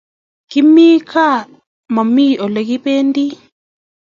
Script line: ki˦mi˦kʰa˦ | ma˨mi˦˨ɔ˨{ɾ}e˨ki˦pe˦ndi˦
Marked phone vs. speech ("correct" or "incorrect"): incorrect